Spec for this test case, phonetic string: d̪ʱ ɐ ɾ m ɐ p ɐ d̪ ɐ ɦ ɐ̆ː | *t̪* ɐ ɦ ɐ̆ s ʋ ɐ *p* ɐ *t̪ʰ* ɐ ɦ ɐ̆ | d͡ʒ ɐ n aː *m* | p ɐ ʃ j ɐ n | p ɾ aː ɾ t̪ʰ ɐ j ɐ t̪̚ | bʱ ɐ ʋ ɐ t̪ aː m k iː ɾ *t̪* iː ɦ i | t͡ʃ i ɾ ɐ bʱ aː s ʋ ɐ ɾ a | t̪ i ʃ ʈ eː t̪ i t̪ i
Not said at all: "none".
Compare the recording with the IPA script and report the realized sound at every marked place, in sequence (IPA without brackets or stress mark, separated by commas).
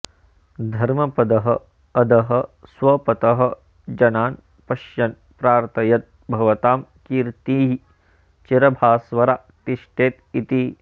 d̪, p, t̪, n, t̪